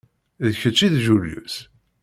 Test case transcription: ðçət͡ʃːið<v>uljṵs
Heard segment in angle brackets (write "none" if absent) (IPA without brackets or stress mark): ʒ